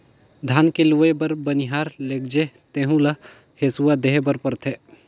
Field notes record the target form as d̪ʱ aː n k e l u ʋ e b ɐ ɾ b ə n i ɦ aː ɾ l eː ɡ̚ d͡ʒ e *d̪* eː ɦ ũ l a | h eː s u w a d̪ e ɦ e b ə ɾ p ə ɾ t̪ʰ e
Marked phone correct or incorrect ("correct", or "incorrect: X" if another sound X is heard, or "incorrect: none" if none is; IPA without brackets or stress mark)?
incorrect: t̪